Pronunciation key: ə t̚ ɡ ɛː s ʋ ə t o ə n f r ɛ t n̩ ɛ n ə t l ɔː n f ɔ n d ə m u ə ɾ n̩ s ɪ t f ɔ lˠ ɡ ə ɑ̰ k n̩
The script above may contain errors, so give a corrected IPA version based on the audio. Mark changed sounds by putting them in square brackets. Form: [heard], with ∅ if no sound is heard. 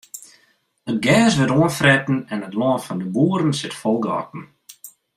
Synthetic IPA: ə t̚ ɡ ɛː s ʋ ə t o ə n f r ɛ t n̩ ɛ n ə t l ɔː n f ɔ n d ə [b] u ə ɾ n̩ s ɪ t f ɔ lˠ ɡ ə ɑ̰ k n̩